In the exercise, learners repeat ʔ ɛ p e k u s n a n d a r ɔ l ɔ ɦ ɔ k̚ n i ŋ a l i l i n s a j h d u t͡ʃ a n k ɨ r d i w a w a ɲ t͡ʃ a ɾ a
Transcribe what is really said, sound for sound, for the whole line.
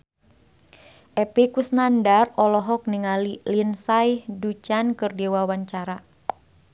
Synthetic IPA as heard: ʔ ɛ p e k u s n a n d a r ɔ l ɔ ɦ ɔ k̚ n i ŋ a l i l i n s a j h d u t͡ʃ a n k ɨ r d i w a w a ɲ t͡ʃ a ɾ a

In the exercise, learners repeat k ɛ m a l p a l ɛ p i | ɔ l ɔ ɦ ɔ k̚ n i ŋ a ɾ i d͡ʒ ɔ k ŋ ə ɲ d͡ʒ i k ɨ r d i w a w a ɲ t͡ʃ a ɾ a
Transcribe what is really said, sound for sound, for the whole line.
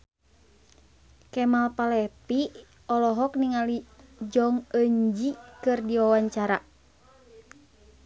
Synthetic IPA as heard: k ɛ m a l p a l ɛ p i | ɔ l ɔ ɦ ɔ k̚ n i ŋ a l i d͡ʒ ɔ ŋ ə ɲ d͡ʒ i k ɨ r d i w a w a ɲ t͡ʃ a ɾ a

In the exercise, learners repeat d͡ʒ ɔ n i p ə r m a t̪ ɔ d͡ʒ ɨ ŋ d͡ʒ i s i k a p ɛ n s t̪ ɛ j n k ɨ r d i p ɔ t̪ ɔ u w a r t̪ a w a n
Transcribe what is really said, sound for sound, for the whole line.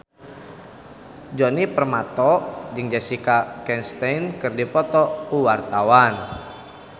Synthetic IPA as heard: d͡ʒ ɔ n i p ə r m a t̪ ɔ d͡ʒ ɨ ŋ d͡ʒ a s i k a k ɛ n s t̪ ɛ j n k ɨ r d i p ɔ t̪ ɔ u w a r t̪ a w a n

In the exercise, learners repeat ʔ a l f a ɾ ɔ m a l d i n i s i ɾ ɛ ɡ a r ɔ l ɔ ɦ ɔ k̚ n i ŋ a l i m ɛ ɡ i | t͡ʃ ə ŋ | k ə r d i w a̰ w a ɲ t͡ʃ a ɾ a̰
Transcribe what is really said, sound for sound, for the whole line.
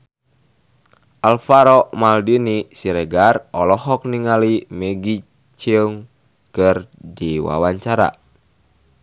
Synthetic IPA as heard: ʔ a l f a ɾ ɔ m a l d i n i s i ɾ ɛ ɡ a r ɔ l ɔ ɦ ɔ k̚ n i ŋ a l i m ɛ ɡ i | t͡ʃ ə ŋ | k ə r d i w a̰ w a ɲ t͡ʃ a ɾ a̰

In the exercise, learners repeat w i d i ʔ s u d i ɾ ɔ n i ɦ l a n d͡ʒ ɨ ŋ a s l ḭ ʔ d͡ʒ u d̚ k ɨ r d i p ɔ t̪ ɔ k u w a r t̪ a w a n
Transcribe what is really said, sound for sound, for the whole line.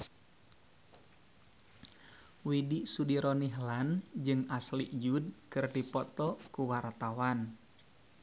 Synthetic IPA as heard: w i d i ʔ s u d i ɾ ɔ n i ɦ l a n d͡ʒ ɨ ŋ a s l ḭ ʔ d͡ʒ u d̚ k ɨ r d i p ɔ t̪ ɔ k u w a r t̪ a w a n

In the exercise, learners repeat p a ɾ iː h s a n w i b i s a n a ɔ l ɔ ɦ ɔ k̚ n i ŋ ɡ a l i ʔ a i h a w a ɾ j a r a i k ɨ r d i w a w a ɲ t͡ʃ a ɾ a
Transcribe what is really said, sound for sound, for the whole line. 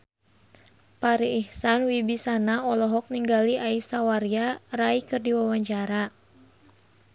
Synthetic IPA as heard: p a ɾ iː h s a n w i b i s a n a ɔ l ɔ ɦ ɔ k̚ n i ŋ ɡ a l i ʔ a i s a w a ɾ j a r a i k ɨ r d i w a w a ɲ t͡ʃ a ɾ a

